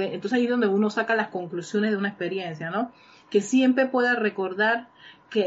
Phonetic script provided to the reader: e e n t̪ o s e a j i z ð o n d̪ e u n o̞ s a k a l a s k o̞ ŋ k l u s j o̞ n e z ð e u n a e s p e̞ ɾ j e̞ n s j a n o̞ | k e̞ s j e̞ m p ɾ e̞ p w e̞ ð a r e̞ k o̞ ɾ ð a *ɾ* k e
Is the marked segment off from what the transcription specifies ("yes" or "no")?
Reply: no